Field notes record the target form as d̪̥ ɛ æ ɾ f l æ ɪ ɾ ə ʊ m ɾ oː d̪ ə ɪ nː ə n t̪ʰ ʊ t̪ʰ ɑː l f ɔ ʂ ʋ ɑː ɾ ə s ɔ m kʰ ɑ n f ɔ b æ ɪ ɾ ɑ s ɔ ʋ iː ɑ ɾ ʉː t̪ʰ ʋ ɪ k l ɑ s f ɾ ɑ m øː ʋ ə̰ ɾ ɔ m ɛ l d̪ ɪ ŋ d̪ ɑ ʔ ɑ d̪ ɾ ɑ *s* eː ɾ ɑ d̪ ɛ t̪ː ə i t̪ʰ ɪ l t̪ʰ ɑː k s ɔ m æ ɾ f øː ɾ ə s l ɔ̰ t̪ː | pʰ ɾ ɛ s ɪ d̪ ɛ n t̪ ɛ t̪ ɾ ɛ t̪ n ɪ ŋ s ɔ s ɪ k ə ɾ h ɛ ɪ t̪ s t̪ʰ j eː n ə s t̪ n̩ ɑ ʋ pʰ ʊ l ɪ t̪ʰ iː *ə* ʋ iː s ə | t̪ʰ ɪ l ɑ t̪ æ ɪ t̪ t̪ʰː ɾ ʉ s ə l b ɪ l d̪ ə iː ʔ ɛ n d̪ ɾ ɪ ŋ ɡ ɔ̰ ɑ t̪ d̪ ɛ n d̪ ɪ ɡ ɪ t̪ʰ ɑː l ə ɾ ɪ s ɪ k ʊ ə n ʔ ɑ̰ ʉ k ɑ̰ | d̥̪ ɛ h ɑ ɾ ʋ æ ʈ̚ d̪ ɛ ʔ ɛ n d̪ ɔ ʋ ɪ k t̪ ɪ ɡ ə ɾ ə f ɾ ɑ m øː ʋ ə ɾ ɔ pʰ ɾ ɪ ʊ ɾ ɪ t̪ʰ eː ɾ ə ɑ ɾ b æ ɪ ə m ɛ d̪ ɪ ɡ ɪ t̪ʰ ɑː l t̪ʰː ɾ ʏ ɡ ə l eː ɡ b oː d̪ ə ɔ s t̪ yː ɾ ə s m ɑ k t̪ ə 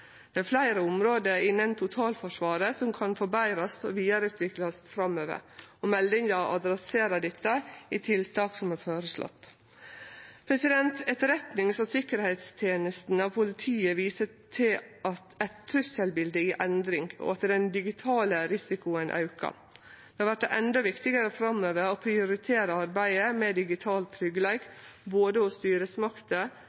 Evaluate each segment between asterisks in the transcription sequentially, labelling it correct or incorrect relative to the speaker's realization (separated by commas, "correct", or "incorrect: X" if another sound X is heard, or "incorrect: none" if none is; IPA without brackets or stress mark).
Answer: correct, correct